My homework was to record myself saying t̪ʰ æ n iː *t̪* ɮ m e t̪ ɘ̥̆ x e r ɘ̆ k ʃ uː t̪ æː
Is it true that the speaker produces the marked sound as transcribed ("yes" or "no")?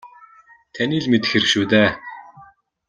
no